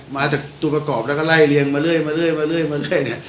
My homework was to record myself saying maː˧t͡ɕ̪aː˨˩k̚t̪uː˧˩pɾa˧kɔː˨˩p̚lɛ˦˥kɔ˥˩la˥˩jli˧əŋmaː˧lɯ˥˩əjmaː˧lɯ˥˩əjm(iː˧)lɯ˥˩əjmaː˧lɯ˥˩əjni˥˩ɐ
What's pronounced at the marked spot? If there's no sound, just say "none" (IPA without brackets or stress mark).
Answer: aː˧